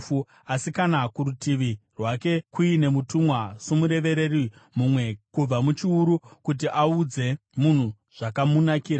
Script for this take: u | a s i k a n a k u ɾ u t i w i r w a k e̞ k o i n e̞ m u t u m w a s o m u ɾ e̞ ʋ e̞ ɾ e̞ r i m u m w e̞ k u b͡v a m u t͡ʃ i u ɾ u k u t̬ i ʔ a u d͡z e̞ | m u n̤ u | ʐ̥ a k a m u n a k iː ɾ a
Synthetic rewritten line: u | a s i k a n a k u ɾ u t i ʋ i r w a k e̞ k u i n e̞ m u t u m w a s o m u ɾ e̞ ʋ e̞ ɾ e̞ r i m u m w e̞ k u b͡v a m u t͡ʃ i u ɾ u k u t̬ i ʔ a u d͡z e̞ | m u n̤ u | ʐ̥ a k a m u n a k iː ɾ a